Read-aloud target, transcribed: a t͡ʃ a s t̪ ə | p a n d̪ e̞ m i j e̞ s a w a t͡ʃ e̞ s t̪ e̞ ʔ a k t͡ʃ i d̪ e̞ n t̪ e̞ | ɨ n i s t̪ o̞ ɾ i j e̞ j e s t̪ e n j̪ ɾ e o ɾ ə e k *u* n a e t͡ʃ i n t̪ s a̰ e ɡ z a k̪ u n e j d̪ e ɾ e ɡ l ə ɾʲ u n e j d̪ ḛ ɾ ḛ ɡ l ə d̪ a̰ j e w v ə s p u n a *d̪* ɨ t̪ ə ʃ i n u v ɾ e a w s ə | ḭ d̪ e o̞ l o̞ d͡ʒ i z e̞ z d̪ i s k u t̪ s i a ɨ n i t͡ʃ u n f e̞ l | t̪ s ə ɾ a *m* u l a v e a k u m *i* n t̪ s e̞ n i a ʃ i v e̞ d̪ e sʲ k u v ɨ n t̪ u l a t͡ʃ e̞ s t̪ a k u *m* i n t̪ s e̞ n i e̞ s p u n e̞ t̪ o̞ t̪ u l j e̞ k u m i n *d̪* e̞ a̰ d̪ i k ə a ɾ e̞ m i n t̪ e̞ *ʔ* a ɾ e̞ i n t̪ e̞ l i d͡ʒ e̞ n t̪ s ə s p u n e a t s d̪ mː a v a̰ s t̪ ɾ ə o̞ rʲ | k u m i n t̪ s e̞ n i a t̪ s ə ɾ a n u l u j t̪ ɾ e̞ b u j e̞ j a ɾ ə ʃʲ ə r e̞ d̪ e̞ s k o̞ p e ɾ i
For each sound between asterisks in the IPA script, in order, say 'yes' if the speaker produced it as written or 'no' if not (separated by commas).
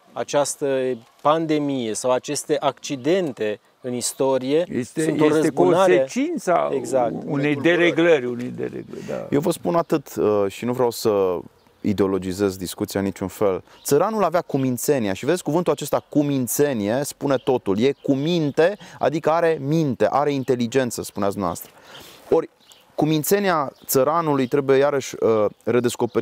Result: no, no, no, yes, yes, no, yes